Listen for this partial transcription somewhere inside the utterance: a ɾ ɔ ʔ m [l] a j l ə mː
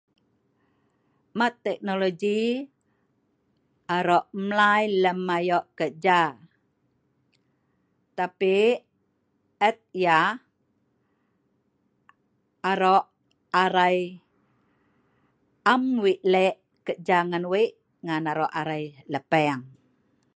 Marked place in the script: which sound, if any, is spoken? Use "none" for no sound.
l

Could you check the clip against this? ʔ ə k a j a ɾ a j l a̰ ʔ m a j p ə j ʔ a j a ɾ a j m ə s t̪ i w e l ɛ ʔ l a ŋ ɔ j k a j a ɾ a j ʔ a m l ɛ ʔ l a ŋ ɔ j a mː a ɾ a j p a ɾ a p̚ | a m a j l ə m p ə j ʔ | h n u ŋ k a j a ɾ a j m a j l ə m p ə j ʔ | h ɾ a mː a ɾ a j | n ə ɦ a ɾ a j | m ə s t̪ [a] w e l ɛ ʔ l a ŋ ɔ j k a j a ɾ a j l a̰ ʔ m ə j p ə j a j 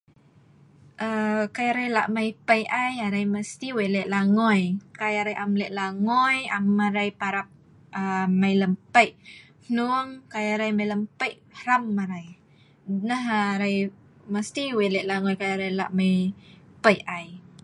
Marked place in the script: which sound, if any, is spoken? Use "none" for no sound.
i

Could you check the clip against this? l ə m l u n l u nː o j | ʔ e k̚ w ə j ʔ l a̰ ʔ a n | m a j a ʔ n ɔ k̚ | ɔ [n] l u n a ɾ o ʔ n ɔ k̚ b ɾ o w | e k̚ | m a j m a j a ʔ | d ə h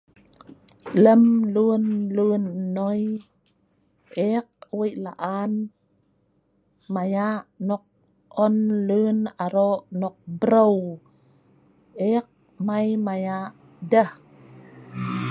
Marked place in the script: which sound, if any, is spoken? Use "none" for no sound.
n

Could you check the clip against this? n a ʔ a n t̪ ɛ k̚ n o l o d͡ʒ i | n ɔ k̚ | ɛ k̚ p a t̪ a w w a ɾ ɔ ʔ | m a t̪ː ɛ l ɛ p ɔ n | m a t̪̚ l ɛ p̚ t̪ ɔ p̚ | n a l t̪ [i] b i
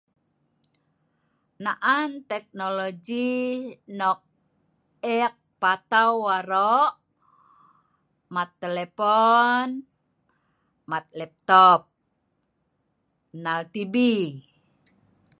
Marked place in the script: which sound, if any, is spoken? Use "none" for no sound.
i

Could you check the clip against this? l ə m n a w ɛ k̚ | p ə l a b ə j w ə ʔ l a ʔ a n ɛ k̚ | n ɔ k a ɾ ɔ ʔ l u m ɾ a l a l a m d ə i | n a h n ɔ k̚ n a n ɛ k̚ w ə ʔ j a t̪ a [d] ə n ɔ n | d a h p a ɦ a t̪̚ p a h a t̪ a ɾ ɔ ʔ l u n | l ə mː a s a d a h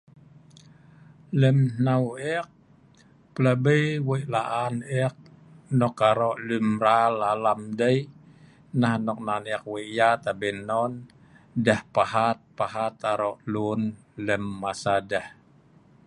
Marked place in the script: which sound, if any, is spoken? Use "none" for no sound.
b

